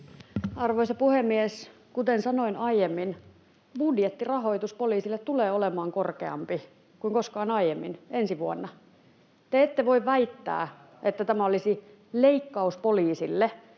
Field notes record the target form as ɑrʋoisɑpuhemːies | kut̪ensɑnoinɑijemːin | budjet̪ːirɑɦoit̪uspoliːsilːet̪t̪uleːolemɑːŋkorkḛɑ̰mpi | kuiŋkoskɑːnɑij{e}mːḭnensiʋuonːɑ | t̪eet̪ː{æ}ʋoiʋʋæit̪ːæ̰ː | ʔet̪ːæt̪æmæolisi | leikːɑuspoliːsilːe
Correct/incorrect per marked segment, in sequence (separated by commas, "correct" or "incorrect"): correct, incorrect